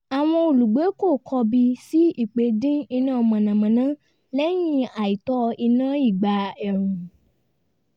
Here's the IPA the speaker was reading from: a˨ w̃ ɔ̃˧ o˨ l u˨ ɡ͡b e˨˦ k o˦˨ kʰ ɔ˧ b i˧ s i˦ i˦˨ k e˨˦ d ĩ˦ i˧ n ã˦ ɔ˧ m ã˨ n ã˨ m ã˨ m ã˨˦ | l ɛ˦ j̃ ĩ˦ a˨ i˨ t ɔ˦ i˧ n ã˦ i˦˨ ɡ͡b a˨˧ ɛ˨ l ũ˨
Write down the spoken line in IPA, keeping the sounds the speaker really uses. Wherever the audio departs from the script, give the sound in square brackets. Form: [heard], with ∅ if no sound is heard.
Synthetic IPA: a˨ w̃ ɔ̃˧ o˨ l u˨ ɡ͡b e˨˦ k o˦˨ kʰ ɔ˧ b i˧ s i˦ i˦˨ [k͡p] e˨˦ d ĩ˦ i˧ n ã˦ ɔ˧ m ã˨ n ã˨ m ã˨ [n] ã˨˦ | l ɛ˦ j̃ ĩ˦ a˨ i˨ t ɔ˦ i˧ n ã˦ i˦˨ ɡ͡b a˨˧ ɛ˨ [ɾ] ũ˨